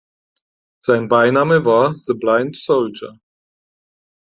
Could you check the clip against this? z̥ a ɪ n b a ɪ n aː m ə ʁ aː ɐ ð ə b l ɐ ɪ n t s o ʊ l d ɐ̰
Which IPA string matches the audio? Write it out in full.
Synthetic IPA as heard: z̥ a ɪ n b a ɪ n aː m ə v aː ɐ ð ə b l a ɪ n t s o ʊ l d͡ʒ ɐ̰